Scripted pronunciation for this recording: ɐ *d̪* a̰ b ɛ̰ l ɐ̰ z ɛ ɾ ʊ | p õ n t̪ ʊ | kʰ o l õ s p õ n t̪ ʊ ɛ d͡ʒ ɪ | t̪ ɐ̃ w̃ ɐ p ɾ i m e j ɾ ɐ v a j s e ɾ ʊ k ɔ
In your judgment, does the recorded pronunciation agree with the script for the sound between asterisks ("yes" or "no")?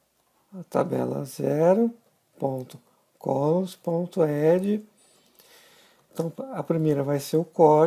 no